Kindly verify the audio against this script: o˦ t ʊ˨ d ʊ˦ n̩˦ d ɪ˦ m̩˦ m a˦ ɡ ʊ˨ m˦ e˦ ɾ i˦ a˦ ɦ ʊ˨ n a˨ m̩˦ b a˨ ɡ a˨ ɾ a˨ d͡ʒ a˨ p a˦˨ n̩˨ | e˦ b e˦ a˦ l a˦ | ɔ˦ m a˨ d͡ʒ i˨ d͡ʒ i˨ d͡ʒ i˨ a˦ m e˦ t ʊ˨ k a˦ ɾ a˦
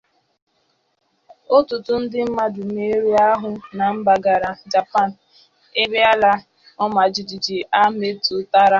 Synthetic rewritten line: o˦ t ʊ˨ t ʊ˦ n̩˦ d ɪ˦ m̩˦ m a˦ d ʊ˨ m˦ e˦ ɾ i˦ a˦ ɦ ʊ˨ n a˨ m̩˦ b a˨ ɡ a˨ ɾ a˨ d͡ʒ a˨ p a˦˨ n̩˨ | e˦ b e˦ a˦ l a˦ | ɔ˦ m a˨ d͡ʒ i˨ d͡ʒ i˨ d͡ʒ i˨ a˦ m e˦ t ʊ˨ t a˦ ɾ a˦